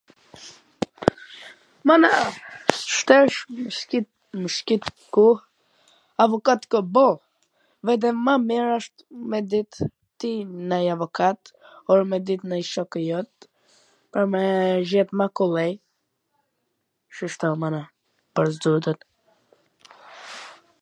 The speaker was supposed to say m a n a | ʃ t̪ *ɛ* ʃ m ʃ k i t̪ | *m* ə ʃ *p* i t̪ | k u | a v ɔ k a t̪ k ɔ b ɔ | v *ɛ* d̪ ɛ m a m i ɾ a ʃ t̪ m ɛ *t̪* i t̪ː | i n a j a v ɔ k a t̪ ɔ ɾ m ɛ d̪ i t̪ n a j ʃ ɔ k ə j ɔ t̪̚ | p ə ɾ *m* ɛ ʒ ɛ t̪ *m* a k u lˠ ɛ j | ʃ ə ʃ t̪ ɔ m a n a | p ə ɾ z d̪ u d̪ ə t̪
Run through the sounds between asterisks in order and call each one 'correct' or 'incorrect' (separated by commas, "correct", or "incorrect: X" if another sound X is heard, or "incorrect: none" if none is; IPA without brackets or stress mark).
correct, correct, incorrect: k, correct, incorrect: d̪, correct, correct